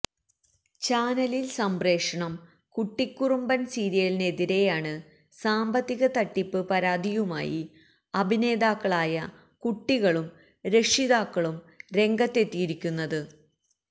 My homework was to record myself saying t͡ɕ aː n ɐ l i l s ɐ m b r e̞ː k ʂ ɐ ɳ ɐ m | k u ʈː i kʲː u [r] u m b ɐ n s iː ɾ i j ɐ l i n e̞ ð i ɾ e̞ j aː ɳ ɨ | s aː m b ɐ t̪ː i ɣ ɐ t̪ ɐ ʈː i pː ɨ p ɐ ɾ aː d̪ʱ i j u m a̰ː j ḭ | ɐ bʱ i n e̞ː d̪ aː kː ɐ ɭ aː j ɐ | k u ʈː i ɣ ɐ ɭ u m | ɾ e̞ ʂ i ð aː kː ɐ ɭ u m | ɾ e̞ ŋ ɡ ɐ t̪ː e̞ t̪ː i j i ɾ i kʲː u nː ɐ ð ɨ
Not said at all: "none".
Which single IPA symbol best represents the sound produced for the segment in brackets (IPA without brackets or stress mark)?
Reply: r